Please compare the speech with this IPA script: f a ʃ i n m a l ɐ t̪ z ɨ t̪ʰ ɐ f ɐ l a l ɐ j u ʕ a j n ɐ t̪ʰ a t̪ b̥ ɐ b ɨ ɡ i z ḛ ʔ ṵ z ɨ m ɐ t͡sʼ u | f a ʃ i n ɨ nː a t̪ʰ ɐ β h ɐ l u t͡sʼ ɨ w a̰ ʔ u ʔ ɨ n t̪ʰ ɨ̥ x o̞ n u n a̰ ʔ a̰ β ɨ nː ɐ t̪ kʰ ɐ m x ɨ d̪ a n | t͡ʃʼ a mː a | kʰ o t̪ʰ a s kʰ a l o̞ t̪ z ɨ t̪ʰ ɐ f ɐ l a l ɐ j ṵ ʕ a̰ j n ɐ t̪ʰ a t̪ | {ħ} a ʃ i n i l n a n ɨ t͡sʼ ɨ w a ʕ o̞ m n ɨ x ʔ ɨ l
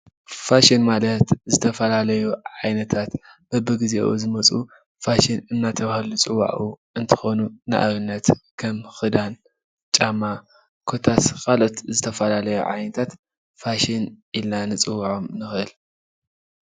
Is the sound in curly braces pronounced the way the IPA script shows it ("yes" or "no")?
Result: no